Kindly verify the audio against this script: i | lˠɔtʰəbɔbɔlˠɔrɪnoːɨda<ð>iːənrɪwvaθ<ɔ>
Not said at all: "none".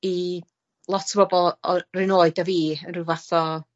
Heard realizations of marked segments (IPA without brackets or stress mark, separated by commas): v, ɔ